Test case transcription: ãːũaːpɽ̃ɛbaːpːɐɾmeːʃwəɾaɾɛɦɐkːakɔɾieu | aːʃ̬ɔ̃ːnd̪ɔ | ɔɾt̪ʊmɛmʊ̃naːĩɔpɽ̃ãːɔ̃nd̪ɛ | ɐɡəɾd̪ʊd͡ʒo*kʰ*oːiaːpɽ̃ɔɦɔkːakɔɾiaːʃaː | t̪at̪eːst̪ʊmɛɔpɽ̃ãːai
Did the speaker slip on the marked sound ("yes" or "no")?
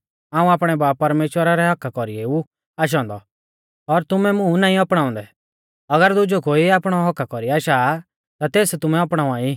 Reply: yes